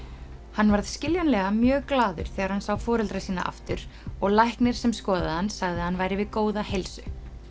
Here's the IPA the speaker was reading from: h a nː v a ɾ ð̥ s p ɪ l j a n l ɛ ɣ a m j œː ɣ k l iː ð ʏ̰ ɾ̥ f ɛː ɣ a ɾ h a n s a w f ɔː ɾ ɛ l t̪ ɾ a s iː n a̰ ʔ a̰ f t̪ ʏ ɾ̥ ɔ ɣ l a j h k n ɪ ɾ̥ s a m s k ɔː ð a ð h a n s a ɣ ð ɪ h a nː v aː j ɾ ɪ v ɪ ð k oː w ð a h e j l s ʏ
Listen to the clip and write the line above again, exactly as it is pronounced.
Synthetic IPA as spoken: h a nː v a ɾ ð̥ s c ɪ l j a n l ɛ ɣ a m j œː ɣ k l aː ð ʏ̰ ɾ̥ θ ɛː ɣ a ɾ h a n s a w f ɔː ɾ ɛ l t̪ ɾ a s iː n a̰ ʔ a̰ f t̪ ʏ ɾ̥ ɔ ɣ l a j h k n ɪ ɾ̥ s ɛ m s k ɔː ð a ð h a n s a ɣ ð ɪ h a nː v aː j ɾ ɪ v ɪ ð k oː w ð a h e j l s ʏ